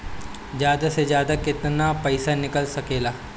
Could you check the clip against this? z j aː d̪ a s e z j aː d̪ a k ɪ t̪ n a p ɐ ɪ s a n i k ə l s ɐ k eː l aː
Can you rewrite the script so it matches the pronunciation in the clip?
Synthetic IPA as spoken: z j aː d̪ a s e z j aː d̪ a k ɪ t̪ n a p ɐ ɪ s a n ɪ k ə l s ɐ k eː l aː